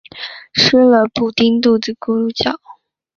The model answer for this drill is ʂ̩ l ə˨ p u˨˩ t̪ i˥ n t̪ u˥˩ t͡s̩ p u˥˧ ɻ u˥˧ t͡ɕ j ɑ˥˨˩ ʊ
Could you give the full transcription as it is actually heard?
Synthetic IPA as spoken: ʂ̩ l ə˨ p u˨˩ t̪ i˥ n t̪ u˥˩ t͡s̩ k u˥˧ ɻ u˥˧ t͡ɕ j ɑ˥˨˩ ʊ